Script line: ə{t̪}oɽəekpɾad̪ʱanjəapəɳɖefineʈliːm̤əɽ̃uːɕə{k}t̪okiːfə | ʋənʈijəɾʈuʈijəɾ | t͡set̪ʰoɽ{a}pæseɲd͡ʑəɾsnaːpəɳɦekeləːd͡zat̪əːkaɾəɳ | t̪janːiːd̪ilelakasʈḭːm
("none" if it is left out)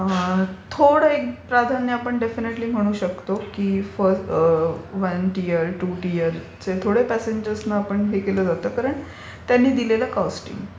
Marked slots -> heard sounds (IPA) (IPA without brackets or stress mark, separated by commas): t̪ʰ, k, e